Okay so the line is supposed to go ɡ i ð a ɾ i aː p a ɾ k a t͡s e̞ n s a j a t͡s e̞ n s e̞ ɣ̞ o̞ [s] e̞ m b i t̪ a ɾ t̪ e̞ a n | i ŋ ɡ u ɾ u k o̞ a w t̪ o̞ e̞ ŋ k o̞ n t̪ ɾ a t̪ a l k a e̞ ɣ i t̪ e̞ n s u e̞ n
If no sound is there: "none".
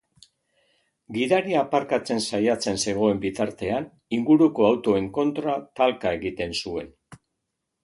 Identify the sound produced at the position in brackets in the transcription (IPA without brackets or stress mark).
none